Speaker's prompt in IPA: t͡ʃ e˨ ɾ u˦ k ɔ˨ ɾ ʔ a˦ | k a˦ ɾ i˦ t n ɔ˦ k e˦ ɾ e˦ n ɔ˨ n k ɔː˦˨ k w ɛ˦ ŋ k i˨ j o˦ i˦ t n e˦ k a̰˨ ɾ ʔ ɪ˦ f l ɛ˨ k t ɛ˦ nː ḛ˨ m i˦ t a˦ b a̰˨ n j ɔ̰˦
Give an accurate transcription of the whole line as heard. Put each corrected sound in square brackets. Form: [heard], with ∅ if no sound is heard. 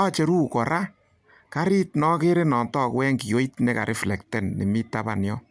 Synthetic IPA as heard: t͡ʃ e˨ ɾ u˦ k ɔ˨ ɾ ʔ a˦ | k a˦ ɾ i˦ t n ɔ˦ k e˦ ɾ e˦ n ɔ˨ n [t] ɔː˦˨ k w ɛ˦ ŋ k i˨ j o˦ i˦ t n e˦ k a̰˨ ɾ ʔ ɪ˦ f l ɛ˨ k t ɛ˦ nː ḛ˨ m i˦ t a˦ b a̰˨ n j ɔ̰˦